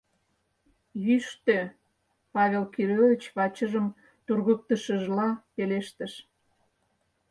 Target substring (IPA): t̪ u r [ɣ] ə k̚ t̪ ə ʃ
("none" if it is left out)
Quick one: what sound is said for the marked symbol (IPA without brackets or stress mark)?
ɣ